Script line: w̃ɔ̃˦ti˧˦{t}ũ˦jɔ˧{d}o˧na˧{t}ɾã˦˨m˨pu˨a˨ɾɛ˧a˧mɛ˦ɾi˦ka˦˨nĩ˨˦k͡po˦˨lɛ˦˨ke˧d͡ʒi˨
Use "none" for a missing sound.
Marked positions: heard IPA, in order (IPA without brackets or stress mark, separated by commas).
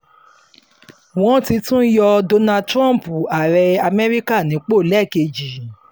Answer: t, d, t